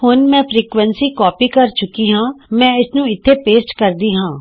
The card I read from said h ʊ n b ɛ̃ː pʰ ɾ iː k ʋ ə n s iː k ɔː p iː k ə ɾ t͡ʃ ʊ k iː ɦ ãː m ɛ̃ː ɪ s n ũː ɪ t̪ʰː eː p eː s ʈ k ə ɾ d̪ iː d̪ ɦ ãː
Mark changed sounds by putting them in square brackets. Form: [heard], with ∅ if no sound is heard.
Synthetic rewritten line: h ʊ n [m] ɛ̃ː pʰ ɾ iː k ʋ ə n s iː k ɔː p iː k ə ɾ t͡ʃ ʊ k iː ɦ ãː m ɛ̃ː ɪ s n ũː ɪ t̪ʰː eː p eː s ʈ k ə ɾ d̪ iː [∅] ɦ ãː